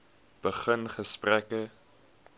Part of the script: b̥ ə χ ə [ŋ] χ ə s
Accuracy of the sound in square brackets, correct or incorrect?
incorrect